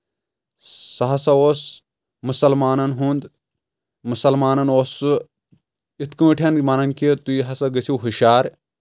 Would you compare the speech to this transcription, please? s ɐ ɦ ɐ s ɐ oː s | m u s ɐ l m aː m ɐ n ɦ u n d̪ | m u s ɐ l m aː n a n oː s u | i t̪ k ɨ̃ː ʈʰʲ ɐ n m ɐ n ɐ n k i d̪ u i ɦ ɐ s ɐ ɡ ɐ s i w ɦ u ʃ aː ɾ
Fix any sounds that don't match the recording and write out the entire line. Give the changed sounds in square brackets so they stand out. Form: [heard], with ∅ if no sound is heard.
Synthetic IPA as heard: s ɐ ɦ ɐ s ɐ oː s | m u s ɐ l m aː [n] ɐ n ɦ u n d̪ | m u s ɐ l m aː n [ɐ] n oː s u | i t̪ k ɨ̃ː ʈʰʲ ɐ n m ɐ n ɐ n k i [t̪] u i ɦ ɐ s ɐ ɡ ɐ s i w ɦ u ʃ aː ɾ